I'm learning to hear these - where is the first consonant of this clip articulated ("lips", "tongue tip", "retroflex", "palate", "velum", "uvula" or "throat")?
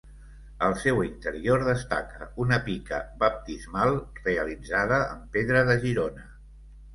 tongue tip